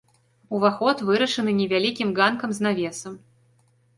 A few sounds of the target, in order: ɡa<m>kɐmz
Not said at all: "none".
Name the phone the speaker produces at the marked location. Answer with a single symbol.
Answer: n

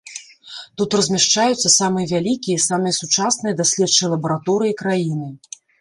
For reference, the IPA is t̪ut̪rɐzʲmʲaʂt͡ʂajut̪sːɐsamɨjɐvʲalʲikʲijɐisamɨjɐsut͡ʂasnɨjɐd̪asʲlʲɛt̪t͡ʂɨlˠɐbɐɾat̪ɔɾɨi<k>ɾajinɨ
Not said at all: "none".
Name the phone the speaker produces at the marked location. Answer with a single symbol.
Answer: k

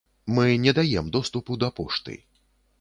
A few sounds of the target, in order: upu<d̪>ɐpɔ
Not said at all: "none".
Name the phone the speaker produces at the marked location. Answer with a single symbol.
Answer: d̪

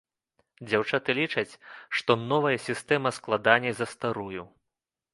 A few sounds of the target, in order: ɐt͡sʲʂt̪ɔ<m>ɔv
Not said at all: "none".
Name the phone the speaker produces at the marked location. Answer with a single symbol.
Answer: n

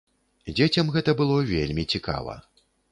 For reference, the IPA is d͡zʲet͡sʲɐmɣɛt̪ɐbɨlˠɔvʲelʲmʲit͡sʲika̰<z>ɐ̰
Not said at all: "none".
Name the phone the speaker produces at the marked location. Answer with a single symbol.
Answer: v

